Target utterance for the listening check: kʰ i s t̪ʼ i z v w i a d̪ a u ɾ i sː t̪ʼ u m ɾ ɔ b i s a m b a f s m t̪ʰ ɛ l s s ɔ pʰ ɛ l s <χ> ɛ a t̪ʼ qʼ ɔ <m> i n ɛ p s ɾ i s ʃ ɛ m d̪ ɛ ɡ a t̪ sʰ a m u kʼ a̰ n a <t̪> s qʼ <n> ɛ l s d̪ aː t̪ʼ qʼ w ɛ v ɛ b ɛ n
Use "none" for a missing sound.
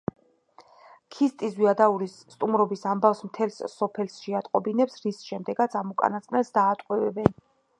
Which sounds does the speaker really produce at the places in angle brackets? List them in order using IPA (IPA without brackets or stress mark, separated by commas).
ʃ, b, t̪, n